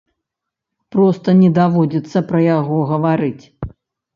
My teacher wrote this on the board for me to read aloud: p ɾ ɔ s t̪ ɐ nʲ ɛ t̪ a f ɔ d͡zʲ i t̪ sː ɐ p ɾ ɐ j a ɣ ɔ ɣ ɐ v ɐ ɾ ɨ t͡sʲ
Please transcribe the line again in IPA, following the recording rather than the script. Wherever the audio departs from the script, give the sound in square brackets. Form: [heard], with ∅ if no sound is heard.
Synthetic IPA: p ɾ ɔ s t̪ ɐ nʲ ɛ [d̪] a [v] ɔ d͡zʲ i t̪ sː ɐ p ɾ ɐ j a ɣ ɔ ɣ ɐ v [a] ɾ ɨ t͡sʲ